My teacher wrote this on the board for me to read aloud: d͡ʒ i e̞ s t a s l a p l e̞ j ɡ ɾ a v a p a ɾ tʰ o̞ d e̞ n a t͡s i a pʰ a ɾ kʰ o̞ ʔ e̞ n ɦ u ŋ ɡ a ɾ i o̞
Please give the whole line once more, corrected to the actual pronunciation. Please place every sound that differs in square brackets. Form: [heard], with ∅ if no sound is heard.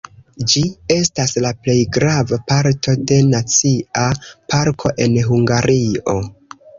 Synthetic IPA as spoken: d͡ʒ i e̞ s t a s l a p l e̞ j ɡ ɾ a v a p a ɾ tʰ o̞ d e̞ n a t͡s i a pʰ a ɾ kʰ o̞ ʔ e̞ n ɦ u ŋ ɡ a ɾ i o̞